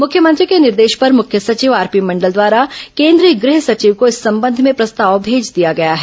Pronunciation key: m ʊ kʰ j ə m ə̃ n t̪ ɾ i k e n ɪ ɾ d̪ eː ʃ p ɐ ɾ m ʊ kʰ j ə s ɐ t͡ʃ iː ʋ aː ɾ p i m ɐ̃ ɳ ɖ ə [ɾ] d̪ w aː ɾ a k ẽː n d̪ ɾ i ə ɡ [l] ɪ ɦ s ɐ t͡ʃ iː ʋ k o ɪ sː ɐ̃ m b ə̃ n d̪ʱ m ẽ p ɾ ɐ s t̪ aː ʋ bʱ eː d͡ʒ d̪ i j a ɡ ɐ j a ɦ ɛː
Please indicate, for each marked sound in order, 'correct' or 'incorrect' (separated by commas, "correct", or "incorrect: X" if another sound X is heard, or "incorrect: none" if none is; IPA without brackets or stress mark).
incorrect: l, incorrect: ɾ